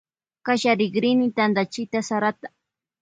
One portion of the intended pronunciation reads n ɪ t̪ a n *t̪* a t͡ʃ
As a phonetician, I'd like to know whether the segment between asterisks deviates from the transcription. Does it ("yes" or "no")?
yes